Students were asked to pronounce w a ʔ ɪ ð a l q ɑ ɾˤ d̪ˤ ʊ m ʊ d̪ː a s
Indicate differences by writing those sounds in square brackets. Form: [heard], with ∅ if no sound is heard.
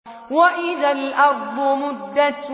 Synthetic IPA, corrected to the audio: w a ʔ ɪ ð a l [ʔ] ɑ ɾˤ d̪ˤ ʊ m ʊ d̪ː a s